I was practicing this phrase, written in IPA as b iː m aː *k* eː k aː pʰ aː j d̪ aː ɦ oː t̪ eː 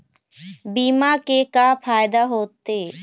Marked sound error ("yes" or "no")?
no